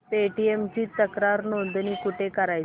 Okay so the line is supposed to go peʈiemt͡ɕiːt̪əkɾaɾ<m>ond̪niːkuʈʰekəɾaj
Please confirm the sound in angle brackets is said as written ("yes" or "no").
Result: no